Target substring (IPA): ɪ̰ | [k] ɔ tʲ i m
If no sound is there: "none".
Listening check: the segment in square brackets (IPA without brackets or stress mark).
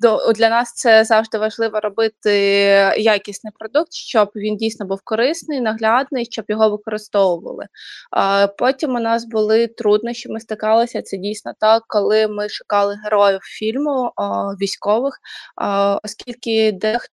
p